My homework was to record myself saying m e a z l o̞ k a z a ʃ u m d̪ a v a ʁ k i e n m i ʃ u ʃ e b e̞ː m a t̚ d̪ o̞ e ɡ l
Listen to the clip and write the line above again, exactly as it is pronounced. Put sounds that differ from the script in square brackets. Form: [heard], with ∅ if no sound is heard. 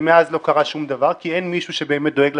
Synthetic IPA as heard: m e a z l o̞ k a [ʁ] a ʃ u m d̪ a v a ʁ k i e n m i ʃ u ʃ e b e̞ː m [e] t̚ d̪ o̞ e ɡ l